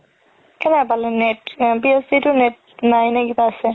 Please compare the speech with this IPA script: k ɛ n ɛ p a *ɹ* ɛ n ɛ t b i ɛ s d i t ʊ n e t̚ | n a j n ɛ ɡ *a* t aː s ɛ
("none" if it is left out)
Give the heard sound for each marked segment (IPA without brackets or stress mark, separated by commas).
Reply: l, i